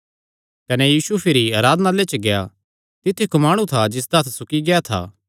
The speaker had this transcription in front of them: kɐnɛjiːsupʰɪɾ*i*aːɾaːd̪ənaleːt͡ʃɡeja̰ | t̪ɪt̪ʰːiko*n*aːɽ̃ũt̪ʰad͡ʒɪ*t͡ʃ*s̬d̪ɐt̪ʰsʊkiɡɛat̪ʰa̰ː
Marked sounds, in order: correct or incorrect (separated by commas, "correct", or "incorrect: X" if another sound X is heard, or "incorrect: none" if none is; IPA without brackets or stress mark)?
correct, incorrect: m, incorrect: none